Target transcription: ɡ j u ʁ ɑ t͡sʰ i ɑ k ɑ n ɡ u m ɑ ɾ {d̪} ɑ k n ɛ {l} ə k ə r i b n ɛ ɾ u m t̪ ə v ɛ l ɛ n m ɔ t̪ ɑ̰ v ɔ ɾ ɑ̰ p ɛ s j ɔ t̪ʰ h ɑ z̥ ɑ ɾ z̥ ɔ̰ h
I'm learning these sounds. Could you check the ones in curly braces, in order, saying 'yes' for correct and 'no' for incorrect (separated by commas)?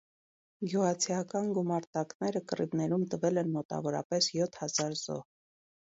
no, no